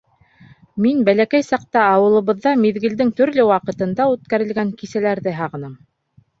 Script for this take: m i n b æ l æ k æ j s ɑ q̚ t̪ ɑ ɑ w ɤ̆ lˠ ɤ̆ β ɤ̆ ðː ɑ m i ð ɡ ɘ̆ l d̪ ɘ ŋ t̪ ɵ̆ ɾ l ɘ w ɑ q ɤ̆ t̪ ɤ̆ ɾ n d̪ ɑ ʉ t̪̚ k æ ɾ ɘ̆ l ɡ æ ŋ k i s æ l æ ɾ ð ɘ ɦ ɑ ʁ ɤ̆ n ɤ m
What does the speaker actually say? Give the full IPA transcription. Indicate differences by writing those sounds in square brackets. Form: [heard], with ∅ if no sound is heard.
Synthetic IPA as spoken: m i n b æ l æ k æ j s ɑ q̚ t̪ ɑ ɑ w ɤ̆ lˠ ɤ̆ β ɤ̆ ðː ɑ m i ð ɡ ɘ̆ l d̪ ɘ ŋ t̪ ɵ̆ ɾ l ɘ w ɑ q ɤ̆ t̪ ɤ̆ [∅] n d̪ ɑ ʉ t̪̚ k æ ɾ ɘ̆ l ɡ æ ŋ k i s æ l æ ɾ ð ɘ ɦ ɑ ʁ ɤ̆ n ɤ m